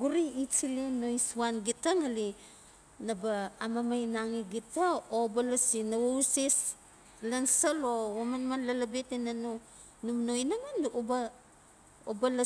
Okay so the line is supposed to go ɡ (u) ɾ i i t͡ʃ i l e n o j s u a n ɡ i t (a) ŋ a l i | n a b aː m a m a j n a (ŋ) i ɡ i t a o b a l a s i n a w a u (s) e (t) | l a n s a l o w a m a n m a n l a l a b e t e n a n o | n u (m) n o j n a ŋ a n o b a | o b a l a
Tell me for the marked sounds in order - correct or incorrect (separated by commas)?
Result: correct, correct, correct, correct, incorrect, correct